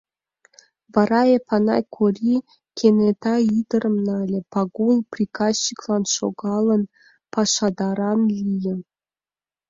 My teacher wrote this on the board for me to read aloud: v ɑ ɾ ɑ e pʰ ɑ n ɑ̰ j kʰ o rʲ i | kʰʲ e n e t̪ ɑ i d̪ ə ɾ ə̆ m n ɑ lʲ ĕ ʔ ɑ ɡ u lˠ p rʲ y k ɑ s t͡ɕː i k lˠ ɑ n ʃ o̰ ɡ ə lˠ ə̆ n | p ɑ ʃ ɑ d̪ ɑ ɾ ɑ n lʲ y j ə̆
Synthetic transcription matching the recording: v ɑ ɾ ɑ e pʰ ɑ n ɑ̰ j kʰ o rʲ i | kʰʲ e n e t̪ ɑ i d̪ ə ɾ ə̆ m n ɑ lʲ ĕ p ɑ ɡ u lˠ p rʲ i k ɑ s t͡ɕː i k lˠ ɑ n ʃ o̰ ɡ ɑ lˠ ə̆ n | p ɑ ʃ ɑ d̪ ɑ ɾ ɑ n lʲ i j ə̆